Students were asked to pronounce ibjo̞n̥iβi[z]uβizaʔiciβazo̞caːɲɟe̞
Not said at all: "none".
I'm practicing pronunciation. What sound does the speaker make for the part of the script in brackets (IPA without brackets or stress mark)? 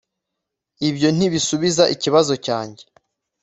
s